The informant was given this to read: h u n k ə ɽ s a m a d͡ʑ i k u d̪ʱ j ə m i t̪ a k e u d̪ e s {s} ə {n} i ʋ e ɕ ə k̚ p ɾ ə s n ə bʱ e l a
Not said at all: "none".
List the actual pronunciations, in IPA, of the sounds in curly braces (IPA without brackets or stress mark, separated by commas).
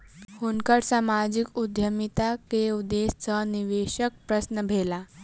t͡s, n